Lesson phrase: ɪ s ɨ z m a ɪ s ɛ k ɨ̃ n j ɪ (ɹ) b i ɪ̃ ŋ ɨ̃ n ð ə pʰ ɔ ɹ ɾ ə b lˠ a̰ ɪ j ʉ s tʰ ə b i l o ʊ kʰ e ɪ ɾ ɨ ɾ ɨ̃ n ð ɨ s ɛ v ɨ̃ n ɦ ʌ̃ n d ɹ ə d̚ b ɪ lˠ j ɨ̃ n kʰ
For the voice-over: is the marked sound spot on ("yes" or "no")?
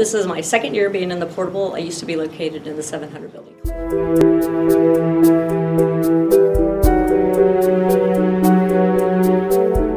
yes